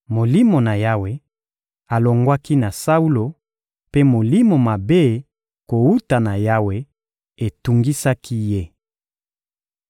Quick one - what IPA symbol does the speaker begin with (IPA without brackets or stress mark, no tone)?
m